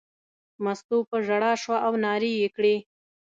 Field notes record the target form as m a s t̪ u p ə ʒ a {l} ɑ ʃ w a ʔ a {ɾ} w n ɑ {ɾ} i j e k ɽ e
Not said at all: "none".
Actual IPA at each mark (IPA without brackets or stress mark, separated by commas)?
ɽ, none, ɾ